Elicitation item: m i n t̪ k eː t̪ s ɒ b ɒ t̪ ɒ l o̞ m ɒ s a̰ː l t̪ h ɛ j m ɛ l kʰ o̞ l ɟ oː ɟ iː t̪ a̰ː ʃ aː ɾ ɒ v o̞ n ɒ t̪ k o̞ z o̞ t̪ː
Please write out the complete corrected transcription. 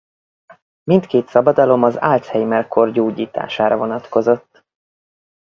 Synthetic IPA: m i n t̪ k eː t̪ s ɒ b ɒ d̪ ɒ l o̞ m ɒ z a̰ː l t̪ h ɛ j m ɛ l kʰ o̞ r ɟ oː ɟ iː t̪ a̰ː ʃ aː ɾ ɒ v o̞ n ɒ t̪ k o̞ z o̞ t̪ː